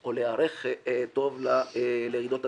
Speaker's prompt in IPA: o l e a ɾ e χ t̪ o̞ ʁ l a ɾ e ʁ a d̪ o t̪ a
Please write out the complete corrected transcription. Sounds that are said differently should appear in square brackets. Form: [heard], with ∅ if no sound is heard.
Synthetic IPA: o l e a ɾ e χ t̪ o̞ [v] l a [l] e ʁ [i] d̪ o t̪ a